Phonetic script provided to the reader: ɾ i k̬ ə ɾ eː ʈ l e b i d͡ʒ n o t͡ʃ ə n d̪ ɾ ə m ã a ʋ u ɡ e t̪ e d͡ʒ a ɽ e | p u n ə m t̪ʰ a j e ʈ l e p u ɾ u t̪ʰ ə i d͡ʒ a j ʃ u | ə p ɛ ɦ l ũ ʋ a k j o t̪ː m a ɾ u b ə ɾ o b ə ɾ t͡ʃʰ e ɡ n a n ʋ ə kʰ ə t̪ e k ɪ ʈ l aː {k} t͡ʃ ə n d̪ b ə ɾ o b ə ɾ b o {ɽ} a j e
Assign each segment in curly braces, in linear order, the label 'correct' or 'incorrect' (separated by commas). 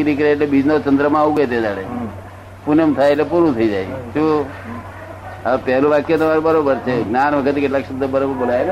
correct, incorrect